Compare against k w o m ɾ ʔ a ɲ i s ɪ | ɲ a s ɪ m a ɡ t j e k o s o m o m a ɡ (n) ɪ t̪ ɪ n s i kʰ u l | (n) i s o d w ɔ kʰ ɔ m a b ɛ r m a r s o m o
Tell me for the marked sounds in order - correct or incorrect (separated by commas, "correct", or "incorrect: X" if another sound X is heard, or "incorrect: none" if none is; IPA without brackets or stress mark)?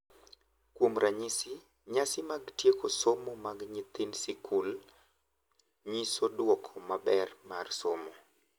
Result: incorrect: ɲ, incorrect: ɲ